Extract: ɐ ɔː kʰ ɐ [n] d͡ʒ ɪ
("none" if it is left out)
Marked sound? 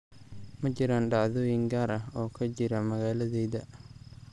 none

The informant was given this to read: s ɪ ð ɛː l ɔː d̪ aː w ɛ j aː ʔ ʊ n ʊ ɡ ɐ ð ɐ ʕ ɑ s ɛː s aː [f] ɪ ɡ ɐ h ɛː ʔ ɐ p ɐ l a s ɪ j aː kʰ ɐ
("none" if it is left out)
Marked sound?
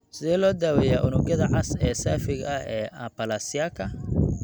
f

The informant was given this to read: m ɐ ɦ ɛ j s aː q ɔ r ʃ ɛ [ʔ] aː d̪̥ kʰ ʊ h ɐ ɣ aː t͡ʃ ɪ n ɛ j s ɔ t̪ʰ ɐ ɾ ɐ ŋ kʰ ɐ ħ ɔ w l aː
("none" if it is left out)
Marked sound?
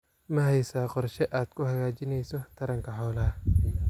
ʔ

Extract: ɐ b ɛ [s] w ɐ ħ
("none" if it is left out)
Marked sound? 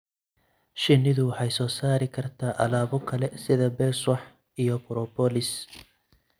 s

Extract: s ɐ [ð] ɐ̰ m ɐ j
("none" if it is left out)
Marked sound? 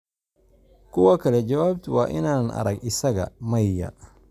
ɣ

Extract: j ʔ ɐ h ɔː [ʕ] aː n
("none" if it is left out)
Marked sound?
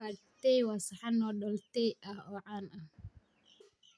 ʕ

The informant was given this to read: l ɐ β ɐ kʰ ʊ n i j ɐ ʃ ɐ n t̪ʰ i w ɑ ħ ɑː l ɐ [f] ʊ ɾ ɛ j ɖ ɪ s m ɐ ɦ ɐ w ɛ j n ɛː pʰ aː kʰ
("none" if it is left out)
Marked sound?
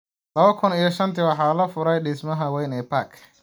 f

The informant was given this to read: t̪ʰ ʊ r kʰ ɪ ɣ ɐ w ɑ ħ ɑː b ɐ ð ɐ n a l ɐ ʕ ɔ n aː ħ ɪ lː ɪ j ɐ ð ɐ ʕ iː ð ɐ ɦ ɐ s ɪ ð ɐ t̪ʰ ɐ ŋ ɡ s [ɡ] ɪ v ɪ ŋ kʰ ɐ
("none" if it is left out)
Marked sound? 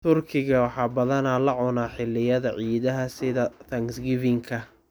ɡ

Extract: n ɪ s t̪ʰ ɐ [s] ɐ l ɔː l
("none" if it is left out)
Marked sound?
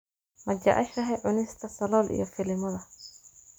s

